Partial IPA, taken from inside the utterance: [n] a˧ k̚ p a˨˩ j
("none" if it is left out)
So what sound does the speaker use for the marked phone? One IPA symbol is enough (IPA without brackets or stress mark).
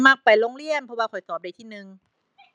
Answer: m